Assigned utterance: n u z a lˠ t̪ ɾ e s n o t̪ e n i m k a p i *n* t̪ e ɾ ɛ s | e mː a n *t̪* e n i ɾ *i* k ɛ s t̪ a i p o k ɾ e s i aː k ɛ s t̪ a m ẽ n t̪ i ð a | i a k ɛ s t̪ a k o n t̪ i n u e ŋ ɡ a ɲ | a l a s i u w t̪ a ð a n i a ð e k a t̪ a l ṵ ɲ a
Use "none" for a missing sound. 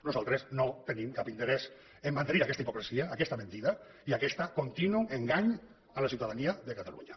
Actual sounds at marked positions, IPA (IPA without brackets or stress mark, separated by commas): n, t̪, a